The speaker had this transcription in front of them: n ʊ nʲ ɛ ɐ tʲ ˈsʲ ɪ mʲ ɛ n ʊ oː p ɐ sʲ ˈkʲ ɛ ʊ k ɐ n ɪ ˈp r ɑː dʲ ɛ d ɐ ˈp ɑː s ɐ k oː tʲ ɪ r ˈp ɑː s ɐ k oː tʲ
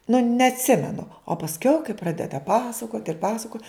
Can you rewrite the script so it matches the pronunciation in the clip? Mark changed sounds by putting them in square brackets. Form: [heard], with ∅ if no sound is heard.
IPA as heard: n ʊ nʲ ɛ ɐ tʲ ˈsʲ ɪ mʲ ɛ n ʊ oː p ɐ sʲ ˈkʲ ɛ ʊ k ɐ [∅] ɪ ˈp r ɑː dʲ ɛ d ɐ ˈp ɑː s ɐ k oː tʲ ɪ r ˈp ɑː s ɐ k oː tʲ